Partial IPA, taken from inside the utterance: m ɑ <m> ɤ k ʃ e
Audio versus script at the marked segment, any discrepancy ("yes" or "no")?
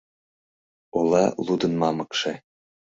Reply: no